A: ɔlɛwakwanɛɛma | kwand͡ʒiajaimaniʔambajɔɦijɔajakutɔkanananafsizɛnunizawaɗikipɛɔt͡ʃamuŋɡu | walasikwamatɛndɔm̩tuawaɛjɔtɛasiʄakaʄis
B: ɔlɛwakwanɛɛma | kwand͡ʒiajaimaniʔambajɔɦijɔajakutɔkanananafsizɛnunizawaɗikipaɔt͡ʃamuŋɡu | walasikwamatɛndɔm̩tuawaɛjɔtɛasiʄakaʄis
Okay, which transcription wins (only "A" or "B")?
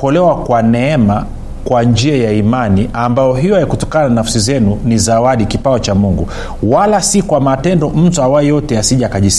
B